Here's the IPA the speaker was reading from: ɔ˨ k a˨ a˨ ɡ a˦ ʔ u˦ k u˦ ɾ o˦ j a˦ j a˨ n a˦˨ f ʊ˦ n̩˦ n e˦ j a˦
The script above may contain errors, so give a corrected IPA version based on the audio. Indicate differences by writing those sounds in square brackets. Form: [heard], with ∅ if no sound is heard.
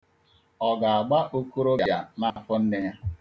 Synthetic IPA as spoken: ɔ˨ [ɡ] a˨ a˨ [ɡ͡b] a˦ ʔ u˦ k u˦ ɾ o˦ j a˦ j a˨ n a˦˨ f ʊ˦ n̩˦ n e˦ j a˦